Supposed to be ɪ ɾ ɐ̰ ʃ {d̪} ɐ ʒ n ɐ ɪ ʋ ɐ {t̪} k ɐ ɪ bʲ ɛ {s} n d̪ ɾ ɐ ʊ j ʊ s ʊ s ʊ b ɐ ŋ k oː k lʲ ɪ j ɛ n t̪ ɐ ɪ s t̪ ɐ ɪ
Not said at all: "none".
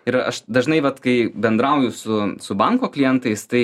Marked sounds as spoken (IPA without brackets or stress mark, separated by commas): d̪, t̪, none